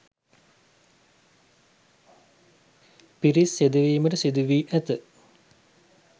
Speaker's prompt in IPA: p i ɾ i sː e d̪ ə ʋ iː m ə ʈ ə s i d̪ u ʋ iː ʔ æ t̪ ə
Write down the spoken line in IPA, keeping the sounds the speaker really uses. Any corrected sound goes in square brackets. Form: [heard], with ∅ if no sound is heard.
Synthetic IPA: p i ɾ i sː e d̪ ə ʋ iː m ə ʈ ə s i d̪ u ʋ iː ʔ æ t̪ ə